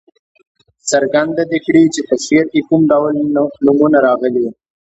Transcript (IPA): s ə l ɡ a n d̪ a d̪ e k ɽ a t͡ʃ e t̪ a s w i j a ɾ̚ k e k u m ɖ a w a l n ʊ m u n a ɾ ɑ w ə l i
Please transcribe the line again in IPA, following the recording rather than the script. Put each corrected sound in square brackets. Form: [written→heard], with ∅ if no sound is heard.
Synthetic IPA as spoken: s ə [l→ɾ] ɡ a n d̪ a d̪ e k ɽ [a→i] t͡ʃ e t̪ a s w i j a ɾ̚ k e k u m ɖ a w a l n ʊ m u n a ɾ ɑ [w→ɣ] ə l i